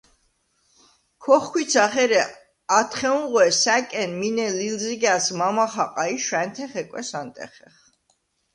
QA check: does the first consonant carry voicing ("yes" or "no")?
no